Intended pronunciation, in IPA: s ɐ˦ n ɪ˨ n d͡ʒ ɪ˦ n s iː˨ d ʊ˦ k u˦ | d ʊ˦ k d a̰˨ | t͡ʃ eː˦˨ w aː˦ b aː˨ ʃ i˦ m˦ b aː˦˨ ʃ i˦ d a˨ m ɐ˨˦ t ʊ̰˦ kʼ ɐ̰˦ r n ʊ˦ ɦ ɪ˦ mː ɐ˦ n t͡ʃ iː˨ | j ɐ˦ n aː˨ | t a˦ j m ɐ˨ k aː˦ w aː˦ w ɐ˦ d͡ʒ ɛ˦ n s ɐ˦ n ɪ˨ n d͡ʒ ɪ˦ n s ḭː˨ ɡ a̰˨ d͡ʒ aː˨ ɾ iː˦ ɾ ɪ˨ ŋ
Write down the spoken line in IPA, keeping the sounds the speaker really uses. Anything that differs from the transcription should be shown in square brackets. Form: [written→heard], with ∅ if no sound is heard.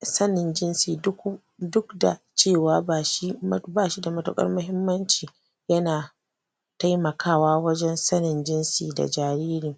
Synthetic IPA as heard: s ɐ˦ n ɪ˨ n d͡ʒ ɪ˦ n s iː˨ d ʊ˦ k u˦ | d ʊ˦ k d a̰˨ | t͡ʃ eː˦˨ w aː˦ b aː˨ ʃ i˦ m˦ b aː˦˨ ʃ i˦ d a˨ m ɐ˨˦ t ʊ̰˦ kʼ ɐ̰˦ r [n→m] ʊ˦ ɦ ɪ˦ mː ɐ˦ n t͡ʃ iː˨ | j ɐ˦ n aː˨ | t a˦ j m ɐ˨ k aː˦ w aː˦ w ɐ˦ d͡ʒ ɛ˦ n s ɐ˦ n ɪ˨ n d͡ʒ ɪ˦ n s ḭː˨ [ɡ→d] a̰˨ d͡ʒ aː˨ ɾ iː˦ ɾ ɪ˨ ŋ